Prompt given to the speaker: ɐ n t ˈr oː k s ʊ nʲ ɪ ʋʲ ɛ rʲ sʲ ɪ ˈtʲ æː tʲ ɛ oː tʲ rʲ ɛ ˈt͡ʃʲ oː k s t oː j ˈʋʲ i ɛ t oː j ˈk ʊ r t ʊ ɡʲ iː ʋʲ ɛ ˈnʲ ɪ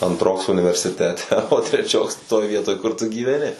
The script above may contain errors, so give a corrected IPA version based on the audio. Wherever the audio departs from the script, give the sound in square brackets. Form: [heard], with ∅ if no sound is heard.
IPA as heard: ɐ n t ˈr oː k s ʊ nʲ ɪ ʋʲ ɛ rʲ sʲ ɪ ˈtʲ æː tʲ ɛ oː tʲ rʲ ɛ ˈt͡ʃʲ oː k s t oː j ˈʋʲ i ɛ t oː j ˈk ʊ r t ʊ ɡʲ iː ʋʲ ɛ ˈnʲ ɪ